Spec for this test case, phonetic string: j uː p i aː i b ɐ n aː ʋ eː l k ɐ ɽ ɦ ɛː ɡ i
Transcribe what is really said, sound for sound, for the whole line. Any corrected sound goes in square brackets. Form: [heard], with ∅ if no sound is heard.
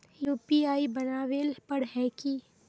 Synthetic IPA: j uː p i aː i b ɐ n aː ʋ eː l [p] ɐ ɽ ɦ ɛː [k] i